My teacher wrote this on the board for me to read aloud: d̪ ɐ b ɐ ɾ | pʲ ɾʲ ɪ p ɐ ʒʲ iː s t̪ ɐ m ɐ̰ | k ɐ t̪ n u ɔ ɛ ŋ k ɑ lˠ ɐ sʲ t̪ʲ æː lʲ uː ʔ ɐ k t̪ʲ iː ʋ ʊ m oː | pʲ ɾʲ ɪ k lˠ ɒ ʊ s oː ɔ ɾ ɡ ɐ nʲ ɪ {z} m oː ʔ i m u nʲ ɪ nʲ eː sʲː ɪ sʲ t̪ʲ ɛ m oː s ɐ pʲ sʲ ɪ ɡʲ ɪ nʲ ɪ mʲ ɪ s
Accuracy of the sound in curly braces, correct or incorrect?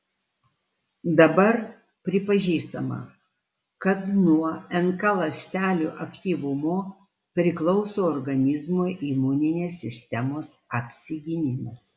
correct